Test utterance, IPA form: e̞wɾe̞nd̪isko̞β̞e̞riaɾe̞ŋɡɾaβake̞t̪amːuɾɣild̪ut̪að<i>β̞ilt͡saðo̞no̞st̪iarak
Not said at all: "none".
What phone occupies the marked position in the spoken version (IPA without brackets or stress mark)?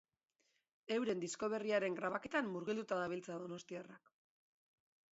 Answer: a